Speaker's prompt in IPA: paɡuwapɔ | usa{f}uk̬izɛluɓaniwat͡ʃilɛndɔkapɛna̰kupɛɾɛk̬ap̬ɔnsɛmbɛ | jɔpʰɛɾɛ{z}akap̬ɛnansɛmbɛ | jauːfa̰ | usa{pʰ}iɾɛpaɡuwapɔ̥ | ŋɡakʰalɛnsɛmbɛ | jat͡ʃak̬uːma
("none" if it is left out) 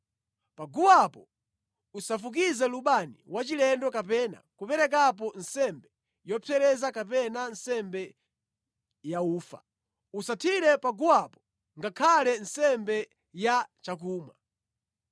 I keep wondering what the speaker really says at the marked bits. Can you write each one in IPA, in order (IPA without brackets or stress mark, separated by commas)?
f, z, tʰ